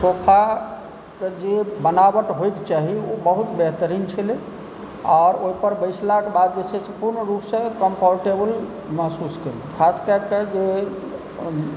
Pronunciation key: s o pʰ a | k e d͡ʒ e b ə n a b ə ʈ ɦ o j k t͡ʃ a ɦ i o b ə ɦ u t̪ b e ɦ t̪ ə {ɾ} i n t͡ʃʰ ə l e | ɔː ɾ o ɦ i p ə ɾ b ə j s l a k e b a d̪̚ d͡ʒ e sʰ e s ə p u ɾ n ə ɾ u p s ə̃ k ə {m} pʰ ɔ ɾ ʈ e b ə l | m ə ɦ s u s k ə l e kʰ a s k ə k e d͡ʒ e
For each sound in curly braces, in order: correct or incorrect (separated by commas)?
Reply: correct, correct